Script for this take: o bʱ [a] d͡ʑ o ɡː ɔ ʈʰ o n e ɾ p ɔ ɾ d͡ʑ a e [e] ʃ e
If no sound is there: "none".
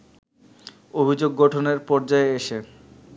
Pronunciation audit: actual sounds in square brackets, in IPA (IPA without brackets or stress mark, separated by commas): i, e